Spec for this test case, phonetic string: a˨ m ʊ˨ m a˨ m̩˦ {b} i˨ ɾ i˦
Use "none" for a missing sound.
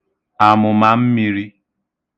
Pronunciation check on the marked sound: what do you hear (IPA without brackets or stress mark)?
m